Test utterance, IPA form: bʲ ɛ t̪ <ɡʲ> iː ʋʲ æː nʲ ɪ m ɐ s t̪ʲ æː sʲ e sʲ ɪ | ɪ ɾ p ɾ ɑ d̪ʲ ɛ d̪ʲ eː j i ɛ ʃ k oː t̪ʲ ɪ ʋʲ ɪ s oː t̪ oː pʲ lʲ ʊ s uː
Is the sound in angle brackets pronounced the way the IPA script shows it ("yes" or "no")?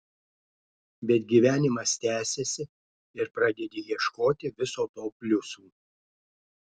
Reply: yes